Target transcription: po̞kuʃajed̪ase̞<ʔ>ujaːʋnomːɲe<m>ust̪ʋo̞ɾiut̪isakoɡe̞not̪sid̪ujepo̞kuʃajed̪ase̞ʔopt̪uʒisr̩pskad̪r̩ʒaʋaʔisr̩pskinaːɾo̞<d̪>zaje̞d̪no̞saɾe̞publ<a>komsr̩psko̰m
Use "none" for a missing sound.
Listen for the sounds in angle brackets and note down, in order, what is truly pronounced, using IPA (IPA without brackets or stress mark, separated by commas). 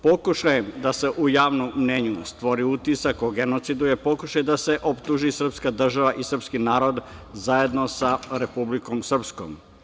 ʔ, ɲ, d̪, i